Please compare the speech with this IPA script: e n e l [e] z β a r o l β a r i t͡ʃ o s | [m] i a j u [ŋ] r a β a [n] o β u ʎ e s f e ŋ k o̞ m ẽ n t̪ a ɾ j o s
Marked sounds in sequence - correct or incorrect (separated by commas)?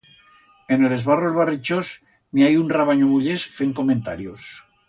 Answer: correct, correct, incorrect, incorrect